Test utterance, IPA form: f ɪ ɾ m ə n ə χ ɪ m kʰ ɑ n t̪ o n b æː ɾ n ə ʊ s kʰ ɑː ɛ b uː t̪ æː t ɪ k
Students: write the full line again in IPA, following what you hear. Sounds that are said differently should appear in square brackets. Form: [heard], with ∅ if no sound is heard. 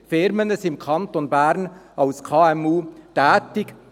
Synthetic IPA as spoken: f ɪ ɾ m ə n ə [s] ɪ m kʰ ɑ n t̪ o n b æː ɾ n [ɑ] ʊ s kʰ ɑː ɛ [m] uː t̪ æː t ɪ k